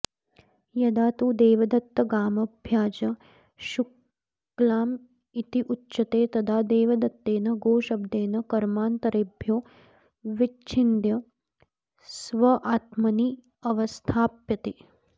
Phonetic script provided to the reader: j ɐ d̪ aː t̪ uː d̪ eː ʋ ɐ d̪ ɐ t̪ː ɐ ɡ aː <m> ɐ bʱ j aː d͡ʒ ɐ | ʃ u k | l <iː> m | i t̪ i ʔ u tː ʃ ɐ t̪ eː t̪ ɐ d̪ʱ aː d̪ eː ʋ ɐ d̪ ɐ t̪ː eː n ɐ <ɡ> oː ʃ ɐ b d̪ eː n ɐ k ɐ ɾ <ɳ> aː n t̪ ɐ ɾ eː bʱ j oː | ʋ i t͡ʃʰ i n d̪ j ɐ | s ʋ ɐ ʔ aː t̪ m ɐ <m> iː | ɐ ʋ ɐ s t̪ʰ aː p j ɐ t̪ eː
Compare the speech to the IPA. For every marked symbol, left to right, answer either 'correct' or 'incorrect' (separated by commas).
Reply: correct, incorrect, correct, incorrect, incorrect